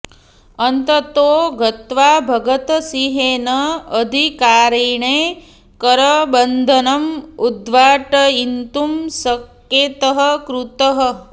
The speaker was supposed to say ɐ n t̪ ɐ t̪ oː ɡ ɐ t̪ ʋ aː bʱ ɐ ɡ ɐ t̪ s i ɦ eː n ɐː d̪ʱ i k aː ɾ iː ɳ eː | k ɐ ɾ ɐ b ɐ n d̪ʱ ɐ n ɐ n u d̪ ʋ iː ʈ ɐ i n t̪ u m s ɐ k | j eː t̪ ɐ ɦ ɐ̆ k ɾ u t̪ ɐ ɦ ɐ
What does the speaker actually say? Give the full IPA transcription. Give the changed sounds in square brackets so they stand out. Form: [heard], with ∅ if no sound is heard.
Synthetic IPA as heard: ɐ n t̪ ɐ t̪ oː ɡ ɐ t̪ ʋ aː bʱ ɐ ɡ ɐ t̪ s i ɦ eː n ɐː d̪ʱ i k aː ɾ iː ɳ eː | k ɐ ɾ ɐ b ɐ n d̪ʱ ɐ n ɐ [m] u d̪ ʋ [aː] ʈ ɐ i n t̪ u m s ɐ k | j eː t̪ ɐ ɦ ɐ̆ k ɾ u t̪ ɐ ɦ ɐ